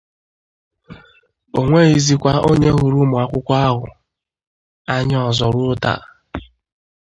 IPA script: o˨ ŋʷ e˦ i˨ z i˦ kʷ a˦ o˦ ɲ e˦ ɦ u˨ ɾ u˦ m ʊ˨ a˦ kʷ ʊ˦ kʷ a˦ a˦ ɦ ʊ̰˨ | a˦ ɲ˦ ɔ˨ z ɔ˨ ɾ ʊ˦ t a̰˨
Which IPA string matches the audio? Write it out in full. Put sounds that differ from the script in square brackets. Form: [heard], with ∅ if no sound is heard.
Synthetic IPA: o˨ ŋʷ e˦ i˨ z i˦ kʷ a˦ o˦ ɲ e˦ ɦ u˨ ɾ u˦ m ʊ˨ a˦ kʷ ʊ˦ kʷ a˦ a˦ ɦ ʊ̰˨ | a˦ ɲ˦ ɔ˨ z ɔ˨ ɾ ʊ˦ t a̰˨

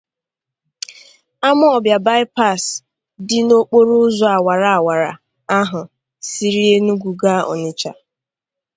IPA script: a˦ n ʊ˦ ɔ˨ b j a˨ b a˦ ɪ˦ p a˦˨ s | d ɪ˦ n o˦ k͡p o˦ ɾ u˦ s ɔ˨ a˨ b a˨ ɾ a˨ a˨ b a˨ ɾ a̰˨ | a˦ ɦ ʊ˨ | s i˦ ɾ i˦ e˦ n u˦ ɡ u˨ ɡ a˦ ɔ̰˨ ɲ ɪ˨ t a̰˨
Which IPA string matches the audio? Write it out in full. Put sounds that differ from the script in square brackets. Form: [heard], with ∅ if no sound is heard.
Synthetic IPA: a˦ [m] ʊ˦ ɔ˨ b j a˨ b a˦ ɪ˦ p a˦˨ s | d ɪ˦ n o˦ k͡p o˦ ɾ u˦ [z] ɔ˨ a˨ [w] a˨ ɾ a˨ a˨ [w] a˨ ɾ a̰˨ | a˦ ɦ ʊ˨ | s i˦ ɾ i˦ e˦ n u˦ ɡ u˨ ɡ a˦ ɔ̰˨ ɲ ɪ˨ [t͡ʃ] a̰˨

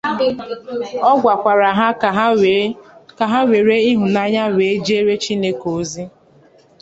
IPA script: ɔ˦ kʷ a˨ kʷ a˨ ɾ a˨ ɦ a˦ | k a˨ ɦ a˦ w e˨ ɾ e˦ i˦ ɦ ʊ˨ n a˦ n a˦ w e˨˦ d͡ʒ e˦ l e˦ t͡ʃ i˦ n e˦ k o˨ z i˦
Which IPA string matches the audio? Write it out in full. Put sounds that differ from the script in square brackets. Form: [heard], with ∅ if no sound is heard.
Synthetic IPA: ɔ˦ [ɡʷ] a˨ kʷ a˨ ɾ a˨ ɦ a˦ | k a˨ ɦ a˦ w e˨ ɾ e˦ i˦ ɦ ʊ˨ n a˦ [ɲ] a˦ w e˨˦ d͡ʒ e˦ [ɾ] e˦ t͡ʃ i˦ n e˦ k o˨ z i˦

